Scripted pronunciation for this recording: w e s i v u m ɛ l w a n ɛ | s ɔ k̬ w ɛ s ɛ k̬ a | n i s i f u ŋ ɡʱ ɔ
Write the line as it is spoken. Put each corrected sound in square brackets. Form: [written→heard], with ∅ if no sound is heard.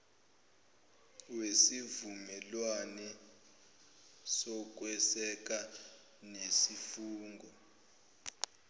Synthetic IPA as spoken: w e s i v u m ɛ l w a n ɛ | s ɔ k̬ w ɛ s ɛ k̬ a | n [i→e] s i f [u→uː] ŋ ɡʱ ɔ